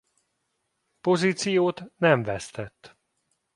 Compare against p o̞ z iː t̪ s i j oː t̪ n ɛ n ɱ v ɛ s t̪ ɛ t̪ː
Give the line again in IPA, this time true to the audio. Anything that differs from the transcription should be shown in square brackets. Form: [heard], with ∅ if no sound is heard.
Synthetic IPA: p o̞ z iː t̪ s i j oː t̪ n ɛ [∅] ɱ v ɛ s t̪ ɛ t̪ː

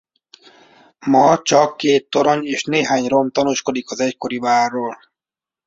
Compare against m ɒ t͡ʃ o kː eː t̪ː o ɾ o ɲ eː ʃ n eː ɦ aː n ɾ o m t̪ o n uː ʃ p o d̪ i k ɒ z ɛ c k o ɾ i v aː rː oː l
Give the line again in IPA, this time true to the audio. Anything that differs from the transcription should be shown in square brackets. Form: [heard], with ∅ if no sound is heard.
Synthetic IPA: m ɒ t͡ʃ [ɒ] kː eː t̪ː o ɾ o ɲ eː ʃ n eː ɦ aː [ɲ] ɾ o m t̪ [ɒ] n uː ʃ [k] o d̪ i k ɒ z ɛ c k o ɾ i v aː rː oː l

